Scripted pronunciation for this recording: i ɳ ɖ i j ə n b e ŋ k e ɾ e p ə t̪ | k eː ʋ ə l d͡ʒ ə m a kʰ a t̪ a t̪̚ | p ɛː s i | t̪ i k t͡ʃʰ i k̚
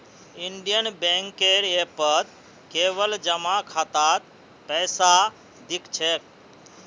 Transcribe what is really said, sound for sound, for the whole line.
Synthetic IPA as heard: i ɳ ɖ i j ə n b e ŋ k e ɾ e p ə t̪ | k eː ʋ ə l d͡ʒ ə m a kʰ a t̪ a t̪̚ | p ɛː s a | d̪ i k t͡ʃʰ e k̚